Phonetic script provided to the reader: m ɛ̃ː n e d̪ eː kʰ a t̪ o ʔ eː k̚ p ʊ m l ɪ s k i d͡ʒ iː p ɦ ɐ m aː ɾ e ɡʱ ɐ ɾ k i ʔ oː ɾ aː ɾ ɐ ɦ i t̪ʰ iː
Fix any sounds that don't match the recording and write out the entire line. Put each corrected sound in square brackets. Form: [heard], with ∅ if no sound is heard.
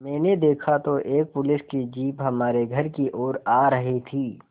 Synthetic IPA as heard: m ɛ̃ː n e d̪ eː kʰ a t̪ o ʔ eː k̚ p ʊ [∅] l ɪ s k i d͡ʒ iː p ɦ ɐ m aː ɾ e ɡʱ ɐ ɾ k i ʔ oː ɾ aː ɾ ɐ ɦ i t̪ʰ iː